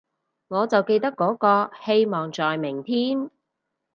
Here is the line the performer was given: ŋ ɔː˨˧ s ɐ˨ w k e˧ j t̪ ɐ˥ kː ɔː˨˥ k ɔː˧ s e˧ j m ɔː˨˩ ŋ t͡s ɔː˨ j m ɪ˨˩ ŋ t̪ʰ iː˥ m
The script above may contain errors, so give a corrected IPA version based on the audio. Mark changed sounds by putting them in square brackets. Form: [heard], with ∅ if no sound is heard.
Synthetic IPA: ŋ ɔː˨˧ [t͡s] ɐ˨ w k e˧ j t̪ ɐ˥ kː ɔː˨˥ k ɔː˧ [h] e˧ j m ɔː˨˩ ŋ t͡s ɔː˨ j m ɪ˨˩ ŋ t̪ʰ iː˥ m